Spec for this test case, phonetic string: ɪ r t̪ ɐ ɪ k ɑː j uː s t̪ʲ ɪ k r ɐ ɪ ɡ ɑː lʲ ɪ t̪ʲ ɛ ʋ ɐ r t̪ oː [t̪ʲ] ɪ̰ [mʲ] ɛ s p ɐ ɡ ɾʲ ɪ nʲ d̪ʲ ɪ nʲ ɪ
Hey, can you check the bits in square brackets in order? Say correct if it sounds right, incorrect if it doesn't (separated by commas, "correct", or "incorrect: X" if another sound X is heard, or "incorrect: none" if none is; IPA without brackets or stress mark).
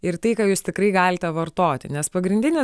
correct, incorrect: nʲ